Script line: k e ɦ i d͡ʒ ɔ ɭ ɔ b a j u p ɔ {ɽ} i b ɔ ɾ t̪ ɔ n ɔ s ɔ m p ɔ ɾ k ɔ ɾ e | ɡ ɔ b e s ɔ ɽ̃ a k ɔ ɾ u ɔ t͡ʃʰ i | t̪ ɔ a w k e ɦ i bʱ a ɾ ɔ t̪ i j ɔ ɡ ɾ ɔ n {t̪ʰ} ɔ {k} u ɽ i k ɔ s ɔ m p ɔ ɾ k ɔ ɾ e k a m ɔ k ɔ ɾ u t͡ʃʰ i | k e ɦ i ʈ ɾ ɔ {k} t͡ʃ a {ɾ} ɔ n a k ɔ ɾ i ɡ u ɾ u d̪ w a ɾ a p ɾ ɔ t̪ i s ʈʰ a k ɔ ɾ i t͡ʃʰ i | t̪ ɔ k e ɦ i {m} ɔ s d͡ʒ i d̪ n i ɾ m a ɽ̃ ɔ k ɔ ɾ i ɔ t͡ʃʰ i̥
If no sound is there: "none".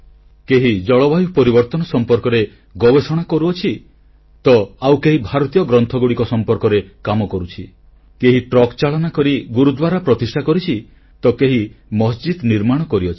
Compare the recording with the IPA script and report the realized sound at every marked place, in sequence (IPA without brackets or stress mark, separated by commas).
ɾ, t̪ʰ, ɡ, k, ɭ, m